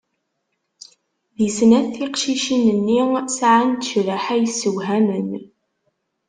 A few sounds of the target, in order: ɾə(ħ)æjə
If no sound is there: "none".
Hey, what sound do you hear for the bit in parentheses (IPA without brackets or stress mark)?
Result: ħ